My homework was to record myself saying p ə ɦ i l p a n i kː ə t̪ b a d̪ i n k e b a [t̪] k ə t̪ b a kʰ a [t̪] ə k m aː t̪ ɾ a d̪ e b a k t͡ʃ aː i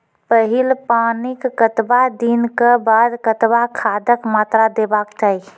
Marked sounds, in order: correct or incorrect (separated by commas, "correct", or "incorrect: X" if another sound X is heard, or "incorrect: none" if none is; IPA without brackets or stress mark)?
incorrect: d̪, incorrect: d̪